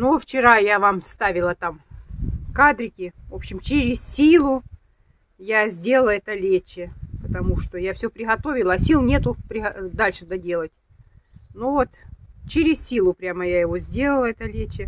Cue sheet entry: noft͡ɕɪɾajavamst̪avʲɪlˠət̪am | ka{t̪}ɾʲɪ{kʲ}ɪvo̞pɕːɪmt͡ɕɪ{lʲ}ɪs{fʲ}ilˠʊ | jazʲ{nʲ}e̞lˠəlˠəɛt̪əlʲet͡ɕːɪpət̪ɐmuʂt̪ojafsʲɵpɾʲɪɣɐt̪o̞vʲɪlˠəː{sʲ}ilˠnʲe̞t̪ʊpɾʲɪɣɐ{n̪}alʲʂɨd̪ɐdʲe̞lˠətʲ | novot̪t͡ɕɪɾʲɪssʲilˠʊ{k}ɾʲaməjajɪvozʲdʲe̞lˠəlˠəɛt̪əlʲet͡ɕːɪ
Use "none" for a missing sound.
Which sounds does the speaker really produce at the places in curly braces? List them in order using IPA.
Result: d̪, kʲ, ɾʲ, sʲ, dʲ, sʲ, d̪, p

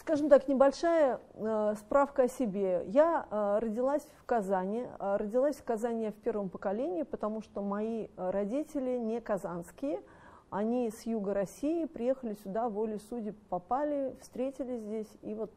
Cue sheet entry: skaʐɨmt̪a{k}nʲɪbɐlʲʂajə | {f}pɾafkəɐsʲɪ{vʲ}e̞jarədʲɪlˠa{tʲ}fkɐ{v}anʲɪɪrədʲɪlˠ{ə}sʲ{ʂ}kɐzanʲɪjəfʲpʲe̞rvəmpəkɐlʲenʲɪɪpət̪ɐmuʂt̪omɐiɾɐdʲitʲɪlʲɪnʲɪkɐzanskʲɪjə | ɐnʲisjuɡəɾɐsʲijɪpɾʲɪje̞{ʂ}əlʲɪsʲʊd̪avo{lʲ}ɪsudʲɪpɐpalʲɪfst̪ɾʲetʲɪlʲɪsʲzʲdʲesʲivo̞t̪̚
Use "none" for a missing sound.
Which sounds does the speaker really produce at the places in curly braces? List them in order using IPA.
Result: k, s, bʲ, sʲ, z, a, f, x, lʲ

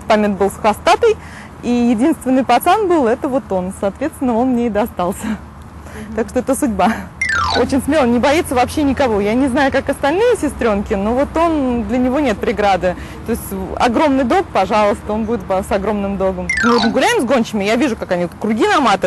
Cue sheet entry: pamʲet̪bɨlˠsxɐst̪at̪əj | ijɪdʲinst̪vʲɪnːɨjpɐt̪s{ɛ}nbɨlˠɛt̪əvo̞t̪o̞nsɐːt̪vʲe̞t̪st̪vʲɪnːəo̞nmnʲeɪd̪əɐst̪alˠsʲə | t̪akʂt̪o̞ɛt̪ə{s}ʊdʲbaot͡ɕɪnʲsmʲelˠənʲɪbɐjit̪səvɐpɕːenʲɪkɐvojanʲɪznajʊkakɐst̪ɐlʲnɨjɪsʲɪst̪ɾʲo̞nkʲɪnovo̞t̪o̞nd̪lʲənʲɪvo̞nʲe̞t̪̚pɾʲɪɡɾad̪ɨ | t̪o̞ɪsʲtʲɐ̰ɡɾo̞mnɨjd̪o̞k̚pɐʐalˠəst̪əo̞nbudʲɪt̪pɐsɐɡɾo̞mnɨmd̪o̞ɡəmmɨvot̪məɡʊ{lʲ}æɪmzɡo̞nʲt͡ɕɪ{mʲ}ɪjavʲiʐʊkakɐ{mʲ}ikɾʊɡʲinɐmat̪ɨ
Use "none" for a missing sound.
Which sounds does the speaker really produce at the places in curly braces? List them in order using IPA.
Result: a, s, lʲ, mʲ, nʲ

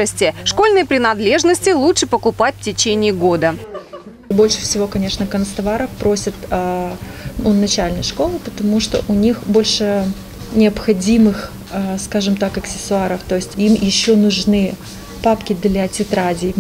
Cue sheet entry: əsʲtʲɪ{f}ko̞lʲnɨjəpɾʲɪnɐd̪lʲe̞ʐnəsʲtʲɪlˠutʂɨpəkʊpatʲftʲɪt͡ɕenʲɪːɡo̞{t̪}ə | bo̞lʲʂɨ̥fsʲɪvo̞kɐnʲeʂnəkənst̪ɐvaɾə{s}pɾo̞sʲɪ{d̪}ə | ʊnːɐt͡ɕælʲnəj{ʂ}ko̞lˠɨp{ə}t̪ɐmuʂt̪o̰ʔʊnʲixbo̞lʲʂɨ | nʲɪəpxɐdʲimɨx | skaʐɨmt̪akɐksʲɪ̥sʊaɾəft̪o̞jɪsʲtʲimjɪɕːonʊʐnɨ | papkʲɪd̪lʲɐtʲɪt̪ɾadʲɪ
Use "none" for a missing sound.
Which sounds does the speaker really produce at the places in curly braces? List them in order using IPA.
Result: ʂ, d̪, f, t̪, ʂ, ə

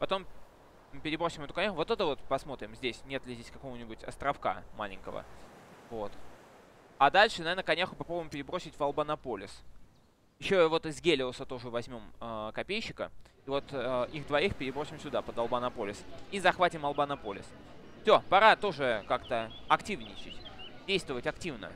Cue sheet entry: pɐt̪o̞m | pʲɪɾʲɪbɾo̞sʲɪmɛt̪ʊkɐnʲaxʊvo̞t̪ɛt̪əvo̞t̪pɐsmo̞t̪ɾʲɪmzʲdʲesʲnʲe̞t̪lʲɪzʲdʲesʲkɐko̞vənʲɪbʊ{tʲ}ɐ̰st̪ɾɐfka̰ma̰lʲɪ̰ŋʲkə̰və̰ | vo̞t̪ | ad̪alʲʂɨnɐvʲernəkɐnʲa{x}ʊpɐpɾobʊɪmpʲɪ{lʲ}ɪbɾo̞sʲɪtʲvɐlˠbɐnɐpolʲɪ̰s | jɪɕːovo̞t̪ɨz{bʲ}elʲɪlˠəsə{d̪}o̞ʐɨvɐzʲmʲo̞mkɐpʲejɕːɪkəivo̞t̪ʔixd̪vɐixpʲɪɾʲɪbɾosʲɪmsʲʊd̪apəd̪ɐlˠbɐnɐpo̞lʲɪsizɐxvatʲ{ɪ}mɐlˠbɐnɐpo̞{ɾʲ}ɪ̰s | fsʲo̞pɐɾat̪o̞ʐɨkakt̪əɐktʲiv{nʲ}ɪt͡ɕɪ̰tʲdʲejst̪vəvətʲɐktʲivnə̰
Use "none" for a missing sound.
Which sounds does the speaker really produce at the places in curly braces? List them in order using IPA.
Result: tʲ, x, ɾʲ, ɡʲ, t̪, ɪ, lʲ, nʲ

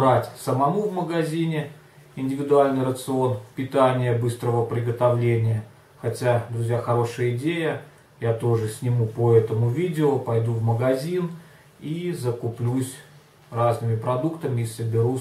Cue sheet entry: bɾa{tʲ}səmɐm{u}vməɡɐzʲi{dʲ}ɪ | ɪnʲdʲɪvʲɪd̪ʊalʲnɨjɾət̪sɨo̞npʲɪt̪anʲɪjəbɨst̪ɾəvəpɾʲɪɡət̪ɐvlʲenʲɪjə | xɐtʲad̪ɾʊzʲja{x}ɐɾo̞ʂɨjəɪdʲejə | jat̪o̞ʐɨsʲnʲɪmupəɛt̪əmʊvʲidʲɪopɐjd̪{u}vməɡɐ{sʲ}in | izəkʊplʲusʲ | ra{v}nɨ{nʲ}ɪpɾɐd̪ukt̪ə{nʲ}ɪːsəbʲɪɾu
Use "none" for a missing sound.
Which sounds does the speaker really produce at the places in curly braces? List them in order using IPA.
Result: tʲ, u, nʲ, x, u, zʲ, z, mʲ, mʲ

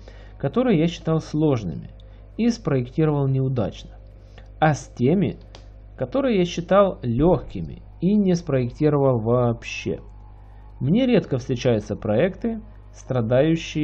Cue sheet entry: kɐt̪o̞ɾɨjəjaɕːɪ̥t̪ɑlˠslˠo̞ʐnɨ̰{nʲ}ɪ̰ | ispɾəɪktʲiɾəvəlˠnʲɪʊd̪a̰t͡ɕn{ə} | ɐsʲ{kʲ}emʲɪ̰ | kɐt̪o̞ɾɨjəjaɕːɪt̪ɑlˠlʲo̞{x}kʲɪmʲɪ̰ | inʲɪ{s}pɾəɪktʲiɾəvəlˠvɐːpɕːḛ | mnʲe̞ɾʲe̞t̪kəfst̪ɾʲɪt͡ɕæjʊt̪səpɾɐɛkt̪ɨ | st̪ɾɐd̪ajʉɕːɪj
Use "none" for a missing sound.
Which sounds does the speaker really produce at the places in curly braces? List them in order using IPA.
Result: mʲ, ə, tʲ, x, s

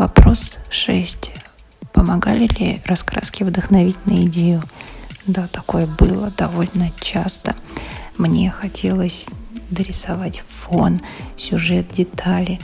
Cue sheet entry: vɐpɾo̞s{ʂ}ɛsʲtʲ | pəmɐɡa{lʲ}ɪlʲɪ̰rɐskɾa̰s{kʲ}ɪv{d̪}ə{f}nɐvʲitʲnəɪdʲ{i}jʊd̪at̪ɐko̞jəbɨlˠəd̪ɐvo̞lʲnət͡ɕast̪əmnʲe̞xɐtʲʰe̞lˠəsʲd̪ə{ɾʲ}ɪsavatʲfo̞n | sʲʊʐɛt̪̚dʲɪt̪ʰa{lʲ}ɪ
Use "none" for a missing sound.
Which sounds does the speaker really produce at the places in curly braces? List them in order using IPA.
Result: ʂ, lʲ, kʲ, d̪, x, e, ɾʲ, lʲ

